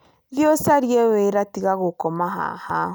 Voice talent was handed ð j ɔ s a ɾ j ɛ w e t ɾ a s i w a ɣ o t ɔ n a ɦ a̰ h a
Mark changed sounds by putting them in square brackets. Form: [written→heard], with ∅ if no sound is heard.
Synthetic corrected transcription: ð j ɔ s a ɾ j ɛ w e [t→∅] ɾ a [s→t] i [w→ɣ] a ɣ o [t→k] ɔ [n→m] a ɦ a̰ h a